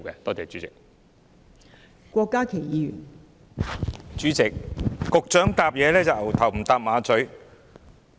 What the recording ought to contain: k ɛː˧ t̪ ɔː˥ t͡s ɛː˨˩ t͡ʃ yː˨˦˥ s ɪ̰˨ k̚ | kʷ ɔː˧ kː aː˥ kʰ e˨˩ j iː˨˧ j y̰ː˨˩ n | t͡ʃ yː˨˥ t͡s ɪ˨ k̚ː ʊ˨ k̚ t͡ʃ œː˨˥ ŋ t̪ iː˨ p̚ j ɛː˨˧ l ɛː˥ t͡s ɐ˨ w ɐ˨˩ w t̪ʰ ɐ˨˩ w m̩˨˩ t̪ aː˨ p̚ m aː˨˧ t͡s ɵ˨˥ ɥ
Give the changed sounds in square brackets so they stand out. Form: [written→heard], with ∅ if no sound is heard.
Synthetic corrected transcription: k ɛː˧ t̪ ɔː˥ t͡s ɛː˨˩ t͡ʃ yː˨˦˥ [s→t͡s] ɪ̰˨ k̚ | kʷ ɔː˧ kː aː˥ kʰ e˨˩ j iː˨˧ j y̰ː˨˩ n | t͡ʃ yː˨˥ t͡s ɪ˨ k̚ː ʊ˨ k̚ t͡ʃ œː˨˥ ŋ t̪ [iː˨→aː˨] p̚ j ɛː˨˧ l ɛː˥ t͡s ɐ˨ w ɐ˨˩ w t̪ʰ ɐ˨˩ w m̩˨˩ t̪ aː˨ p̚ m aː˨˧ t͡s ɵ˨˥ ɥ

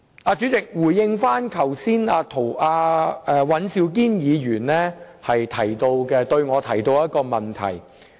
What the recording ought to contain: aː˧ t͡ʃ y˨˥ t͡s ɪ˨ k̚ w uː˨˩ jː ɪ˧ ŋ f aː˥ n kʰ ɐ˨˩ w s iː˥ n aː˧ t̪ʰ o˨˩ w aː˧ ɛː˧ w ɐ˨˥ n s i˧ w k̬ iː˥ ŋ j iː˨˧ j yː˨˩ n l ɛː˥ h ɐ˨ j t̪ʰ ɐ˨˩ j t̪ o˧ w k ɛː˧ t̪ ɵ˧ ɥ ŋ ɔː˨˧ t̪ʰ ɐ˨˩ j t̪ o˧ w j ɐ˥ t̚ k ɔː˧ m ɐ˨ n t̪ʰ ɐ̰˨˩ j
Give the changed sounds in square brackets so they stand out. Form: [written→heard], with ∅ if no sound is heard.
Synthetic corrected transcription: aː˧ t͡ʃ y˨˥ t͡s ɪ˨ k̚ w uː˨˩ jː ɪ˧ ŋ f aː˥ n kʰ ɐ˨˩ w s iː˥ n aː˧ t̪ʰ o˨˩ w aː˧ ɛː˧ w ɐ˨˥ n s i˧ w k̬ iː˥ [ŋ→n] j iː˨˧ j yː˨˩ n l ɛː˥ h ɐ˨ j t̪ʰ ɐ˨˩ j t̪ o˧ w k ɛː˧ t̪ ɵ˧ ɥ ŋ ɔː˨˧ t̪ʰ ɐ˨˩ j t̪ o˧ w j ɐ˥ t̚ k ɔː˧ m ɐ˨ n t̪ʰ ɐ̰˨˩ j

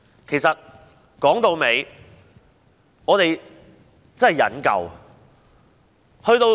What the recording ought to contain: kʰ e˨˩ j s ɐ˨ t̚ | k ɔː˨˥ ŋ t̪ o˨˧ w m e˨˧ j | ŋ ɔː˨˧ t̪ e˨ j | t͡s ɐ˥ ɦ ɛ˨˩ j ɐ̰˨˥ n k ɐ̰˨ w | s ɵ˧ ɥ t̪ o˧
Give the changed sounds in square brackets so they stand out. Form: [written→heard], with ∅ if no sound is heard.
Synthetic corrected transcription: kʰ e˨˩ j s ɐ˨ t̚ | k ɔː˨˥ ŋ t̪ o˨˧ w m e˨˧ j | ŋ ɔː˨˧ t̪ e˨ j | t͡s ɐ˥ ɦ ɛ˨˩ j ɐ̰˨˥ n k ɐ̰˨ w | [s→h] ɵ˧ ɥ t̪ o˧

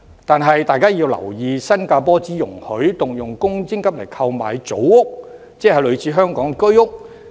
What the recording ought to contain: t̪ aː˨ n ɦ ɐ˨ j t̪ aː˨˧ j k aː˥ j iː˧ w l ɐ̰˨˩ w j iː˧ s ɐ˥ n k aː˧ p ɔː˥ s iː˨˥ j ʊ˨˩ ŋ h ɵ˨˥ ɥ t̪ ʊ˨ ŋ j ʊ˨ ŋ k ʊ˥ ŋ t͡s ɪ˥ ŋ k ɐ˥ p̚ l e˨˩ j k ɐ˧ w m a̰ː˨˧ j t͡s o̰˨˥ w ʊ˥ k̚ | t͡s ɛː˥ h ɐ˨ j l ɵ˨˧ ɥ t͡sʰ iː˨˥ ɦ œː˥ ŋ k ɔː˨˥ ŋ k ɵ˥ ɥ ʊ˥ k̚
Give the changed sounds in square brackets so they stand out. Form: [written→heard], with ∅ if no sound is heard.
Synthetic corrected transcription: t̪ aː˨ n ɦ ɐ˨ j t̪ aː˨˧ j k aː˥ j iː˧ w l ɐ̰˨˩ w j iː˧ s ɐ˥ n k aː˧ p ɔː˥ [s→t͡s] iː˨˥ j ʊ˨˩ ŋ h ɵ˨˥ ɥ t̪ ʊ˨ ŋ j ʊ˨ ŋ k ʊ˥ ŋ t͡s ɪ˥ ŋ k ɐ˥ p̚ l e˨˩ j [k→kʰ] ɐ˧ w m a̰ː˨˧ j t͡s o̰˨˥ w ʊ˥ k̚ | t͡s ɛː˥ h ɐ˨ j l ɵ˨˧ ɥ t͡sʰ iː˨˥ ɦ œː˥ ŋ k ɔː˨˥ ŋ k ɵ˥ ɥ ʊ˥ k̚

